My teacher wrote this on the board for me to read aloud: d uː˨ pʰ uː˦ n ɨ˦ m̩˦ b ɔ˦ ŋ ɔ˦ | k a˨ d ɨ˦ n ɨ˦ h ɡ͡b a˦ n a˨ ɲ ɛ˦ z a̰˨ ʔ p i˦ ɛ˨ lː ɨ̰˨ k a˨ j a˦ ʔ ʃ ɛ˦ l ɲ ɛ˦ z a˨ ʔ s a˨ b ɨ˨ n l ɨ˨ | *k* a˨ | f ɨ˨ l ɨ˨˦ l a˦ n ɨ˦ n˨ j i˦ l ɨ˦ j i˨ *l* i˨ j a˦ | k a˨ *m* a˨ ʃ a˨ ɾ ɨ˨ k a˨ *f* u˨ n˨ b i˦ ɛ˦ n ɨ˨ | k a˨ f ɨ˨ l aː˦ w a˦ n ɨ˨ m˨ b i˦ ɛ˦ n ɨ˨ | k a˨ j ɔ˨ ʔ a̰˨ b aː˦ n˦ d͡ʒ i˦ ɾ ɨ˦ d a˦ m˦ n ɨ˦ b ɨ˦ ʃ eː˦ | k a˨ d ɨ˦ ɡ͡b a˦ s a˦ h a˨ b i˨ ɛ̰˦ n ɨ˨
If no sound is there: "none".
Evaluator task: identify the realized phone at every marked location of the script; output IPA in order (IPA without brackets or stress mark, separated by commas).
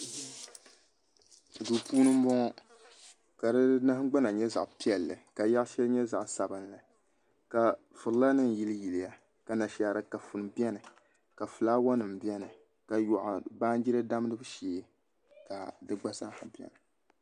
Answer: k, l, n, f